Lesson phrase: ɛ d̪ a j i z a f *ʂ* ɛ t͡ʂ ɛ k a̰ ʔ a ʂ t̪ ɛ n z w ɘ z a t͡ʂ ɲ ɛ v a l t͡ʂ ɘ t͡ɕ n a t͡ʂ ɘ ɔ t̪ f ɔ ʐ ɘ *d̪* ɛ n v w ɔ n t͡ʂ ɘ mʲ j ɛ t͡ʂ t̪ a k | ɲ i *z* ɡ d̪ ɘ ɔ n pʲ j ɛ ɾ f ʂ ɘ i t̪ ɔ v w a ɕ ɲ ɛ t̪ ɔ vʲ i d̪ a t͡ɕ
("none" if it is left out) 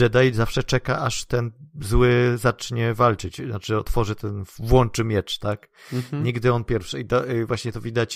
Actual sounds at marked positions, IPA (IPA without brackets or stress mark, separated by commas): ʂ, t̪, none